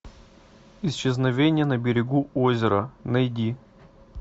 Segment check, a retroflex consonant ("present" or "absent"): absent